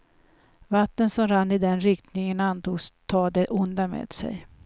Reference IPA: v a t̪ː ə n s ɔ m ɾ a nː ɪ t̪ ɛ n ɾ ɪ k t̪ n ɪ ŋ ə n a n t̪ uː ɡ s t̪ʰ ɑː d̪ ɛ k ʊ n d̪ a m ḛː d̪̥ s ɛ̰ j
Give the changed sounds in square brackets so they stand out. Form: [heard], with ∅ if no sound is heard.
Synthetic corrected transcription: v a t̪ː ə n s ɔ m ɾ a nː ɪ [d̪] ɛ n ɾ ɪ k t̪ n ɪ ŋ ə n a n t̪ uː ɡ s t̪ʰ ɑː d̪ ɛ [ʔ] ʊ n d̪ a m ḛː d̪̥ s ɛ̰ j